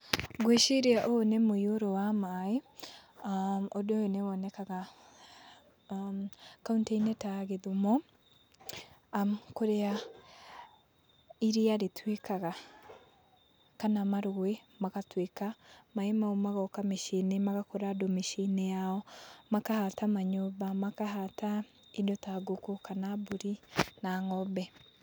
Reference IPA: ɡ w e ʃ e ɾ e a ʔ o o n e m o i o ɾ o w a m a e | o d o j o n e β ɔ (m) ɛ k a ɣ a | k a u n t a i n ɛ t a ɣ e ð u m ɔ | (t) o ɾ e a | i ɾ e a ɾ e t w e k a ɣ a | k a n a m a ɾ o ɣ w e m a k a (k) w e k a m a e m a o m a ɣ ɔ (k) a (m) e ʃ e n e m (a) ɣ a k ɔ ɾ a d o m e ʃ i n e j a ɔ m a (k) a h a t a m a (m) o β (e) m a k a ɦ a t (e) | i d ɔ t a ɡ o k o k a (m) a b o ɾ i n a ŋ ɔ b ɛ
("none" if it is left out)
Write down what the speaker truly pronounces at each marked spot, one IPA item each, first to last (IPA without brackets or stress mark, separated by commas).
n, k, t, k, m, a, k, ɲ, a, a, n